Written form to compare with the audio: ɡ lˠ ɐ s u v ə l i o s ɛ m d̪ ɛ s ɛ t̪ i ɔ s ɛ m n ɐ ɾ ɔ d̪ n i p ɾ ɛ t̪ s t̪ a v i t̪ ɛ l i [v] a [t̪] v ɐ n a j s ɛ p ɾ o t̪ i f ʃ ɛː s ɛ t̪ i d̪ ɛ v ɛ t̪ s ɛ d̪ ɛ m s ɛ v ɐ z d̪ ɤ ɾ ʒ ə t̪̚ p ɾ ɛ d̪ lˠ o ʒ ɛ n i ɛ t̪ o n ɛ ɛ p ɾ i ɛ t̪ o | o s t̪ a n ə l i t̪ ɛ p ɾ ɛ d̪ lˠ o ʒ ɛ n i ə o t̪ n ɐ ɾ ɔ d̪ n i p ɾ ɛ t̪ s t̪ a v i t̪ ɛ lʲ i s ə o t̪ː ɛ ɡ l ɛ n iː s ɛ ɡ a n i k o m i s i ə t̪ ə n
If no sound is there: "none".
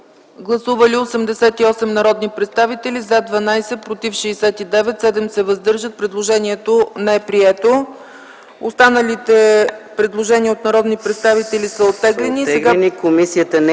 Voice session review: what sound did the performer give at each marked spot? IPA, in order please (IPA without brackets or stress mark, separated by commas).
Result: z, d̪